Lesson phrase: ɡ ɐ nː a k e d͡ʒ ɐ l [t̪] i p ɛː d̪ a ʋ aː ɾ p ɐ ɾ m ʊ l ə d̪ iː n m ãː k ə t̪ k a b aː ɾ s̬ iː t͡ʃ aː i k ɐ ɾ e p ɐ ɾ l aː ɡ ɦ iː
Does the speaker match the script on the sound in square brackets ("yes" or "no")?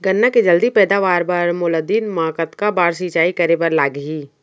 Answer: no